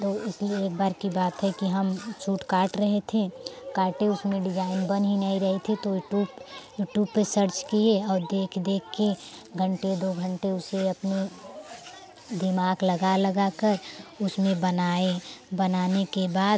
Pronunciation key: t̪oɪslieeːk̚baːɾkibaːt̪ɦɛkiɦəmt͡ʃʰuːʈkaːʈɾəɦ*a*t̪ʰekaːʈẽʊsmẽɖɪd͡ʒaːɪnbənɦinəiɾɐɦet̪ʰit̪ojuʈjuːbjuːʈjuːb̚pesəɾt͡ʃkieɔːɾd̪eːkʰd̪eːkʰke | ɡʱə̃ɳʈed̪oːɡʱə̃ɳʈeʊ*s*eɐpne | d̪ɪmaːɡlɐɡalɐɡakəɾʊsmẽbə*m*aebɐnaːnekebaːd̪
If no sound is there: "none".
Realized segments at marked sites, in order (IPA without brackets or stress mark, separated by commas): e, s, n